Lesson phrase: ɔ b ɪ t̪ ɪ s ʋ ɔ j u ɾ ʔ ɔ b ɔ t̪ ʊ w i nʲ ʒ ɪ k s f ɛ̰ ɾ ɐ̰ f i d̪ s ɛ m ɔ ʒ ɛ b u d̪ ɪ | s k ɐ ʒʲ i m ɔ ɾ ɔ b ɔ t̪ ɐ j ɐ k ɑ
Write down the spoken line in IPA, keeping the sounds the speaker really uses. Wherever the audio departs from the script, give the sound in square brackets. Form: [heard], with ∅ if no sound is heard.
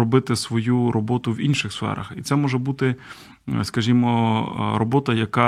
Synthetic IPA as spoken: ɔ b ɪ t̪ ɪ s ʋ ɔ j u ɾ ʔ ɔ b ɔ t̪ ʊ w i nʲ [ʃ] ɪ [x] s f ɛ̰ ɾ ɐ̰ [x] i [t̪] s ɛ m ɔ ʒ ɛ b u [t̪] ɪ | s k ɐ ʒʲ i m ɔ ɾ ɔ b ɔ t̪ ɐ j ɐ k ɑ